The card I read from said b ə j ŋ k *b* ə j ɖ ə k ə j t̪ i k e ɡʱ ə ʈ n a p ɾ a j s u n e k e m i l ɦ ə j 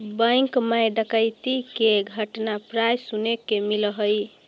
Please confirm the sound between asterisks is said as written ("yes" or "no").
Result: no